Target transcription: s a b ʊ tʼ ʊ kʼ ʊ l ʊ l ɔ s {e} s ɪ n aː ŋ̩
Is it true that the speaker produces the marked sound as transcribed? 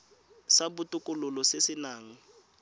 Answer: yes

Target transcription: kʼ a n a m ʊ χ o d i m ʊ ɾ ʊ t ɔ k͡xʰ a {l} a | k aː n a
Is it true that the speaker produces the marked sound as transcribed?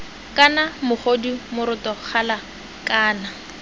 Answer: yes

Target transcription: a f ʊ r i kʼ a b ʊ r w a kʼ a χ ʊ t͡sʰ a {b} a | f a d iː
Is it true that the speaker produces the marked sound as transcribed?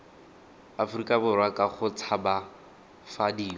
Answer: yes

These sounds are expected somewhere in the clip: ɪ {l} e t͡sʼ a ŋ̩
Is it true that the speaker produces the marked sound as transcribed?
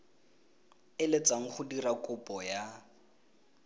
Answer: yes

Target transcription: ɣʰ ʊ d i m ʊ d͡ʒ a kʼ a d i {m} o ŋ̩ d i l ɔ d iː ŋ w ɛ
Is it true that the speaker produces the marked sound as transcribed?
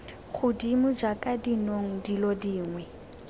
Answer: no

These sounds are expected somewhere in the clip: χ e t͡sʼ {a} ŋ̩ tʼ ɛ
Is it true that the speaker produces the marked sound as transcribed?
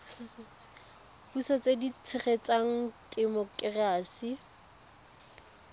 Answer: yes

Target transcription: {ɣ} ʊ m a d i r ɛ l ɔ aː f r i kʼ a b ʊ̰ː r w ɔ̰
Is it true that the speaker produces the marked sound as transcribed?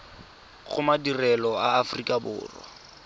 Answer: yes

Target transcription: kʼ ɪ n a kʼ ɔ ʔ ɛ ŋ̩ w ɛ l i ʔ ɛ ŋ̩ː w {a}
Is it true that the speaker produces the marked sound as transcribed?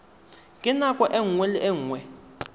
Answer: no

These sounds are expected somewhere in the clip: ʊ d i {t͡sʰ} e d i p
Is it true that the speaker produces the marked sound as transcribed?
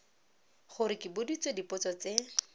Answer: no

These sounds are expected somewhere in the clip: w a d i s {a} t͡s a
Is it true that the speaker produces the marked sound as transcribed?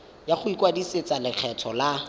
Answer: no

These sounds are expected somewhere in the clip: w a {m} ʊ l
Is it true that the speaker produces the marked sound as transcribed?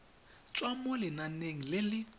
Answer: yes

